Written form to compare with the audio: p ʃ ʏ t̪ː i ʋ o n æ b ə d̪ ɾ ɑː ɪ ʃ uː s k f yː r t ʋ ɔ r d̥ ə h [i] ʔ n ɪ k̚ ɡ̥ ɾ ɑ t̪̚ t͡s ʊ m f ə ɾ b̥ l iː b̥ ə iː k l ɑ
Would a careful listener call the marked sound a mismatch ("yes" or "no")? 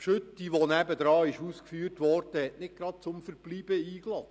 yes